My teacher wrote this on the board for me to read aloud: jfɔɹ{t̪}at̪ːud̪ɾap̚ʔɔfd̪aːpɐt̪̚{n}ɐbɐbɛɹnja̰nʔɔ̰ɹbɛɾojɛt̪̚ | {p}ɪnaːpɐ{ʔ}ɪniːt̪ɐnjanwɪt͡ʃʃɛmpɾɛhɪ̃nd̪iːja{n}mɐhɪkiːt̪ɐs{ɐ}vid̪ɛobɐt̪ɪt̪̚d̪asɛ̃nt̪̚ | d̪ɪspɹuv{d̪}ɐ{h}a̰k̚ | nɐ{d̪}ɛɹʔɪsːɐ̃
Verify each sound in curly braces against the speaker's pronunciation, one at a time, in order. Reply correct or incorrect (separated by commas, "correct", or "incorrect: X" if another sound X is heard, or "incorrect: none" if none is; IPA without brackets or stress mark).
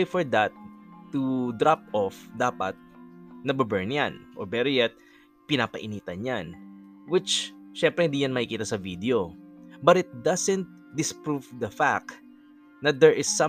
incorrect: d̪, correct, correct, correct, correct, correct, correct, incorrect: f, correct